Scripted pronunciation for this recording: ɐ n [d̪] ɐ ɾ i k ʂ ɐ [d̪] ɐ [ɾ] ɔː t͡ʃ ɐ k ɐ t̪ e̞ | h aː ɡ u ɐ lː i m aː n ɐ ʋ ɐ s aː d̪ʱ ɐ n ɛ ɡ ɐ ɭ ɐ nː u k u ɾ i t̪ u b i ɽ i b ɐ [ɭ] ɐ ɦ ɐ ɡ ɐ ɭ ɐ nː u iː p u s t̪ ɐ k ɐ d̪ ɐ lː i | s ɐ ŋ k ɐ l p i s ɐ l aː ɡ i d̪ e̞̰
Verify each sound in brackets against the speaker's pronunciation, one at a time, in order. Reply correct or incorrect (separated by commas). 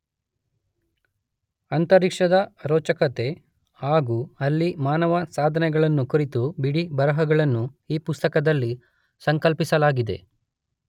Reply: incorrect, correct, correct, incorrect